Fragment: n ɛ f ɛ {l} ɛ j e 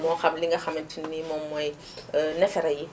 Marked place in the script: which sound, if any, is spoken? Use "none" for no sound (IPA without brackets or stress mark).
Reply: ɾ